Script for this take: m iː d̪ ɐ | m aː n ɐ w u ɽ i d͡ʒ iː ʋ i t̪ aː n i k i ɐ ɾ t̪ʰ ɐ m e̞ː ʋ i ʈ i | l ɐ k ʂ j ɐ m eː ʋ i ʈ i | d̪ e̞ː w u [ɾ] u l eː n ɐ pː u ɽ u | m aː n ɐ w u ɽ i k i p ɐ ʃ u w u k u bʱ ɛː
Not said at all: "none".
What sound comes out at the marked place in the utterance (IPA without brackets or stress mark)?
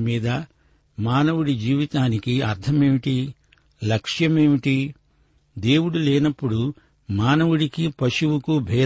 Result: ɽ